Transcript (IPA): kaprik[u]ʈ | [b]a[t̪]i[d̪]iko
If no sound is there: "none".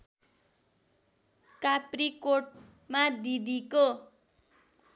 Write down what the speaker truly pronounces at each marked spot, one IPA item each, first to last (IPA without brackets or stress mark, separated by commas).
o, m, d̪, d̪